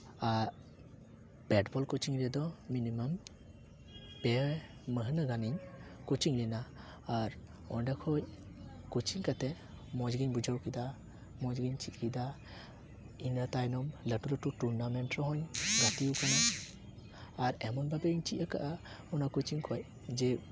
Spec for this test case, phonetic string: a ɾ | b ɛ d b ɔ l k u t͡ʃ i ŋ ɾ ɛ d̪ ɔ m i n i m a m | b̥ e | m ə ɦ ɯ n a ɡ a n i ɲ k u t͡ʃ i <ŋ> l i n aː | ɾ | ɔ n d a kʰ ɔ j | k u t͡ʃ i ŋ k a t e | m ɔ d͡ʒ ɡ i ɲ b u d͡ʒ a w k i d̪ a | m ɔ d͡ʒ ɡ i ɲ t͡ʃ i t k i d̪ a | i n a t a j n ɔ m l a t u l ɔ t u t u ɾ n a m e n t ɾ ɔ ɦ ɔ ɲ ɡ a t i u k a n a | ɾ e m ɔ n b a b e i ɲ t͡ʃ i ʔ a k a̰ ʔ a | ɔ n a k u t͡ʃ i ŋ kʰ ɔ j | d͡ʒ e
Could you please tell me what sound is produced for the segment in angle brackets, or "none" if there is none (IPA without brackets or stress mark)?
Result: ŋ